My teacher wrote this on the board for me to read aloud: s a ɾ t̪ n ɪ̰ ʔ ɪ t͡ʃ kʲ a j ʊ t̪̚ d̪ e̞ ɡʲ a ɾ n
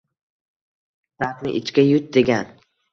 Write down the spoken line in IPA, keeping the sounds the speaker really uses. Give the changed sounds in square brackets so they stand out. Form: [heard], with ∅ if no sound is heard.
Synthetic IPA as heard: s a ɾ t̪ n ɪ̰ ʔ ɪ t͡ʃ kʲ a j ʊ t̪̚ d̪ e̞ ɡʲ a [∅] n